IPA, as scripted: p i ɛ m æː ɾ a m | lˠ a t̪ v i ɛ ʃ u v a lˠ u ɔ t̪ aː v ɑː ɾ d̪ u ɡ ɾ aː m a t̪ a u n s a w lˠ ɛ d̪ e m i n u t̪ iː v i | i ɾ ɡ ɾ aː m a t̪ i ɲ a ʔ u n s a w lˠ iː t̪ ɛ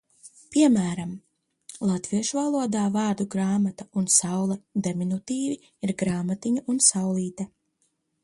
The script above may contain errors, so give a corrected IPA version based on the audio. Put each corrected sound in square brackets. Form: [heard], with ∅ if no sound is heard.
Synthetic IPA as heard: p i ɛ m æː ɾ a m | lˠ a t̪ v i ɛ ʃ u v a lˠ u ɔ [d̪] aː v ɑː ɾ d̪ u ɡ ɾ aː m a t̪ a u n s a w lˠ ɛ d̪ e m i n u t̪ iː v i | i ɾ ɡ ɾ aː m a t̪ i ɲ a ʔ u n s a w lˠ iː t̪ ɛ